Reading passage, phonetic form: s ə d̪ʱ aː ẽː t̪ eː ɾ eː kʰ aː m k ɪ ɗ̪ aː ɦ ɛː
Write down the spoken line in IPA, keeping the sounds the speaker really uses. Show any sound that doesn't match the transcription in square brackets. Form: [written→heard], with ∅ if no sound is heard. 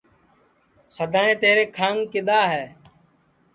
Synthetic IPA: s ə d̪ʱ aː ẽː t̪ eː ɾ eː kʰ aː [m→ŋ] k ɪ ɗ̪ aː ɦ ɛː